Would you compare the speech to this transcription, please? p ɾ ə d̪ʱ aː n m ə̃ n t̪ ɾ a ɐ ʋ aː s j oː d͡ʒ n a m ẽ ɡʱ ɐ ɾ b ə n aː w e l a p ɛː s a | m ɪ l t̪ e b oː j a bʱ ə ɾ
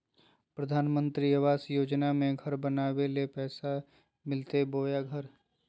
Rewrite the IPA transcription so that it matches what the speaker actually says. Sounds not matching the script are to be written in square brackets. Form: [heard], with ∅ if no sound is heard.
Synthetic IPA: p ɾ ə d̪ʱ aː n m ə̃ n t̪ ɾ [i] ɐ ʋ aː s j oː d͡ʒ n a m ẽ ɡʱ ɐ ɾ b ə n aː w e l [e] p ɛː s a | m ɪ l t̪ e b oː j a [ɡʱ] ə ɾ